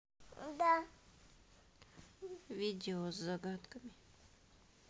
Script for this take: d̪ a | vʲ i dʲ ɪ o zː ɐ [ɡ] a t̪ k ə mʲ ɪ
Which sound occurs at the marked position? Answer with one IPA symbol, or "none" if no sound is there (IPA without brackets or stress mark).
ɡ